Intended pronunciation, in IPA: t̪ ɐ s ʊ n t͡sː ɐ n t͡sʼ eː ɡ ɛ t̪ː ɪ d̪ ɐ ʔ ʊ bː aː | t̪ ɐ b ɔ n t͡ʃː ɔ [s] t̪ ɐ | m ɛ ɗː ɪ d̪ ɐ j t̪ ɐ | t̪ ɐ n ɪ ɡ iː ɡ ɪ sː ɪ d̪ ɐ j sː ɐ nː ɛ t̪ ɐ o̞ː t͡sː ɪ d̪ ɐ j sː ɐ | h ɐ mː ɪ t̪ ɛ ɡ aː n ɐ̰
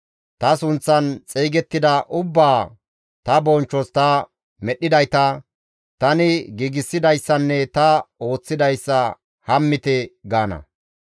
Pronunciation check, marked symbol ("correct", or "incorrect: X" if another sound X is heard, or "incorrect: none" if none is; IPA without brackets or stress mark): correct